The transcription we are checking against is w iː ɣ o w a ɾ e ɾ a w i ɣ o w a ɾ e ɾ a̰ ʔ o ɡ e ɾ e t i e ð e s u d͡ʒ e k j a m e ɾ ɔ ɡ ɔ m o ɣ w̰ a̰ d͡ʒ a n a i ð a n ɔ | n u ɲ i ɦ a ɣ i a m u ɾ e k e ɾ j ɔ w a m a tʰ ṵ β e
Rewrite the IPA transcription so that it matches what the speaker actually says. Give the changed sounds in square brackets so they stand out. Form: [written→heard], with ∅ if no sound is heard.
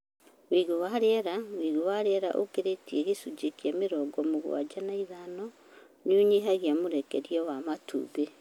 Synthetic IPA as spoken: w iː ɣ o w a ɾ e ɾ a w i ɣ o w a ɾ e ɾ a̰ ʔ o [ɡ→k] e ɾ e t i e [ð→ɣ] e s u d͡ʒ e k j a m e ɾ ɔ ɡ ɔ m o ɣ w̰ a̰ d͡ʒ a n a i ð a n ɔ | n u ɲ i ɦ a ɣ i a m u ɾ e k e ɾ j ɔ w a m a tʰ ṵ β e

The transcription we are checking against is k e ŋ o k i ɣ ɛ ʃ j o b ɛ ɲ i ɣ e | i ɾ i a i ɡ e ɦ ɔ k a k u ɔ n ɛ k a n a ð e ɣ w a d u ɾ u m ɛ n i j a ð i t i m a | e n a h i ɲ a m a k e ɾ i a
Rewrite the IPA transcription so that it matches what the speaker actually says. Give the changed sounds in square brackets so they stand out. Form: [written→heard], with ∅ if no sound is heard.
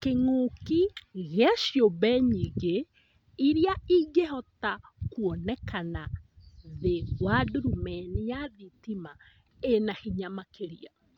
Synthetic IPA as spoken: k e ŋ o k i ɣ ɛ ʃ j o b ɛ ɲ i ɣ e | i ɾ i a i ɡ e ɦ ɔ [k→t] a k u ɔ n ɛ k a n a ð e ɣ w a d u ɾ u m ɛ n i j a ð i t i m a | e n a h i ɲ a m a k e ɾ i a

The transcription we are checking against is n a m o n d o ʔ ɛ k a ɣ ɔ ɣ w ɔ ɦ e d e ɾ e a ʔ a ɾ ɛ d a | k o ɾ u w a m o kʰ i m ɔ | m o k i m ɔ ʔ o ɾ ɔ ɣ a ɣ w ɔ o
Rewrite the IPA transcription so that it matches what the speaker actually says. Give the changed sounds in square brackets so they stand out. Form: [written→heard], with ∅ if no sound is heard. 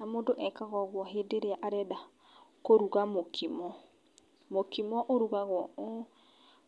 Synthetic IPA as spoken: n a m o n d o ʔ ɛ k a ɣ ɔ ɣ w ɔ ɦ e d e ɾ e a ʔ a ɾ ɛ d a | k o ɾ u [w→ɣ] a m o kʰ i m ɔ | m o k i m ɔ ʔ o ɾ [ɔ→u] ɣ a ɣ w ɔ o

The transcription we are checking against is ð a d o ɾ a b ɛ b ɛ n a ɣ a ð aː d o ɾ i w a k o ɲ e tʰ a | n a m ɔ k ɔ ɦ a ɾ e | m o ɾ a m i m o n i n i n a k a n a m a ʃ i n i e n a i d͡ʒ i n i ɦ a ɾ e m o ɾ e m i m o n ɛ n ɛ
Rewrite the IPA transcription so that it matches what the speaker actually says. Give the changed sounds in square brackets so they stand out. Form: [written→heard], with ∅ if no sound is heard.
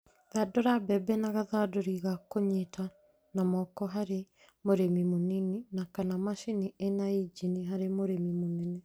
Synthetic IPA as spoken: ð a d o ɾ a b ɛ b ɛ n a ɣ a ð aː d o ɾ i [w→ɣ] a k o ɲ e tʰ a | n a m ɔ k ɔ ɦ a ɾ e | m o ɾ [a→e] m i m o n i n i n a k a n a m a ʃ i n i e n a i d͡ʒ i n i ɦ a ɾ e m o ɾ e m i m o n ɛ n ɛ

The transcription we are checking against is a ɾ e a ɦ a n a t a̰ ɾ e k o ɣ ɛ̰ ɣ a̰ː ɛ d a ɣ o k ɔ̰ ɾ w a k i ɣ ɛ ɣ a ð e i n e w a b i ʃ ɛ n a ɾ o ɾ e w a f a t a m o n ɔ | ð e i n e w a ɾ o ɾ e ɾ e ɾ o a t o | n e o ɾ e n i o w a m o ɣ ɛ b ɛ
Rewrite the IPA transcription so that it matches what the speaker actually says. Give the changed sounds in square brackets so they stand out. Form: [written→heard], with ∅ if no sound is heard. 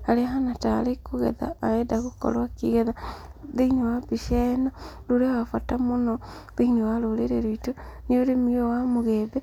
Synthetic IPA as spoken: a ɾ e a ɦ a n a t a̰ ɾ e k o ɣ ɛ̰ [ɣ→ð] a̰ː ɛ d a ɣ o k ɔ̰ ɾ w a k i ɣ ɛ [ɣ→ð] a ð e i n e w a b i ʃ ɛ n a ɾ o ɾ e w a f a t a m o n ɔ | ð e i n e w a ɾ o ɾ e ɾ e ɾ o [a→i] t o | n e o ɾ e [n→m] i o w a m o ɣ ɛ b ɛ

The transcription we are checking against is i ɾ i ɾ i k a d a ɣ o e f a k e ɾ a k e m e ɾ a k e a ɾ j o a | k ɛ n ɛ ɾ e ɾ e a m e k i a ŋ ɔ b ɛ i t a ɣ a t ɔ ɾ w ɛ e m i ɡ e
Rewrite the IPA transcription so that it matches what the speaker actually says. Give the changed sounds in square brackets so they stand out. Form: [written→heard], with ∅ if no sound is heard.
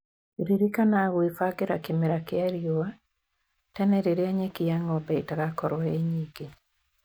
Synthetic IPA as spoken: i ɾ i ɾ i k a [d→n] a ɣ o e f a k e ɾ a k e m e ɾ a k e a ɾ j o a | [k→t] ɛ n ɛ ɾ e ɾ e a [m→ɲ] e k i a ŋ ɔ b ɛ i t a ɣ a [t→k] ɔ ɾ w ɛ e [m→ɲ] i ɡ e

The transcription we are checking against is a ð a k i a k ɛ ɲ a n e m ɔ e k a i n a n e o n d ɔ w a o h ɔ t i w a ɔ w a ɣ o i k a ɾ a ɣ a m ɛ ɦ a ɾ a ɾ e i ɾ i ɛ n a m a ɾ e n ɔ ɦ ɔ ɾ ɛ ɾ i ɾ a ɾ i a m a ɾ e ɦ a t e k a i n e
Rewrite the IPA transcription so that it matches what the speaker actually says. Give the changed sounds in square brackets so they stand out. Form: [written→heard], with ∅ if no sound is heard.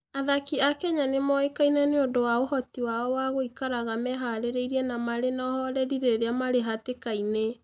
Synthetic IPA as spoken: a ð a k i a k ɛ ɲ a n e m ɔ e k a i n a n e o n d [ɔ→o] w a o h ɔ t i w a ɔ w a ɣ o i k a ɾ a ɣ a m ɛ ɦ a ɾ [a→e] ɾ e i ɾ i ɛ n a m a ɾ e n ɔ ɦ ɔ ɾ ɛ ɾ i ɾ [a→e] ɾ [i→e] a m a ɾ e ɦ a t e k a i n e

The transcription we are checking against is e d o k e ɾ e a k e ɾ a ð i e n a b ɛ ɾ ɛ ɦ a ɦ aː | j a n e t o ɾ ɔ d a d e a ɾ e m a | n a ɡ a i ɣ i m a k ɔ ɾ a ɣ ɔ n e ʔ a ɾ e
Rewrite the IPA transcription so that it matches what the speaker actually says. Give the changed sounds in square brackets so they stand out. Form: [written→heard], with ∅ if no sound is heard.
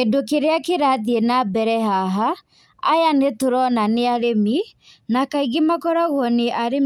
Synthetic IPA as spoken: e d o k e ɾ e a k e ɾ a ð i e n a b ɛ ɾ ɛ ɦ a ɦ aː | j a n e t o ɾ ɔ [d→n] a [d→n] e a ɾ e m [a→i] | n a [ɡ→k] a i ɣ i m a k ɔ ɾ a ɣ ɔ n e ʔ a ɾ e

